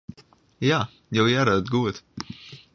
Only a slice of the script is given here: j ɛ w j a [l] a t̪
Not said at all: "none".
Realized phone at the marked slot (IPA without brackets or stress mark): ɾ